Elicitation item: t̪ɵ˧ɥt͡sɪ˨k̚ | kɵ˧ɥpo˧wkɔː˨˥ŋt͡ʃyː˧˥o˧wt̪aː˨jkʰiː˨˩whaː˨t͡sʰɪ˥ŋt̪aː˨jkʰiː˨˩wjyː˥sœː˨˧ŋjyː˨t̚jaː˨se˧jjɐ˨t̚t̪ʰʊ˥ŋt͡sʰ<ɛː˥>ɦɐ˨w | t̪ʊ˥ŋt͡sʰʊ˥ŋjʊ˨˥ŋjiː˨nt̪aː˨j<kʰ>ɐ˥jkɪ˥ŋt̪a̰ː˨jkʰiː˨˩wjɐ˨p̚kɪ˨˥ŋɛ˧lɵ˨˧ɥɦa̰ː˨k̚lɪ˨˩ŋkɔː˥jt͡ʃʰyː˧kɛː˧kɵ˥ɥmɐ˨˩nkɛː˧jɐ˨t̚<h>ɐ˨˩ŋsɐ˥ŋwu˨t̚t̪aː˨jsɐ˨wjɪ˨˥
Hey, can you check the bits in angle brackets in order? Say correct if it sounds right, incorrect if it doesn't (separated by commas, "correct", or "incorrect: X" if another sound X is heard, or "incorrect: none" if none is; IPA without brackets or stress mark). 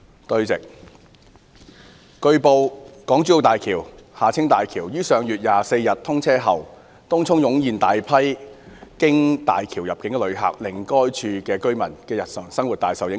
correct, incorrect: pʰ, incorrect: s